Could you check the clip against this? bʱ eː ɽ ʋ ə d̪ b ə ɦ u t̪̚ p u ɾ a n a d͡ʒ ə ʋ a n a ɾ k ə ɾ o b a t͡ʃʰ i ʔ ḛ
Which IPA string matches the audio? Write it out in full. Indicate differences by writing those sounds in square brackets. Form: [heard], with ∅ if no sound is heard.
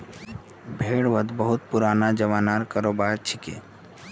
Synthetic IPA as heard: bʱ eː ɽ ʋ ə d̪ b ə ɦ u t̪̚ p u ɾ a n a d͡ʒ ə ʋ a n a ɾ k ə ɾ o b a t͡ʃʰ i [k] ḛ